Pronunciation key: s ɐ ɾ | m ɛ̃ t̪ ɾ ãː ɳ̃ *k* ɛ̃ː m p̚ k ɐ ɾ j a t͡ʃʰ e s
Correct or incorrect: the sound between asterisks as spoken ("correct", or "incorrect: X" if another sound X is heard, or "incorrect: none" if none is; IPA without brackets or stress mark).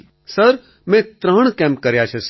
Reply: correct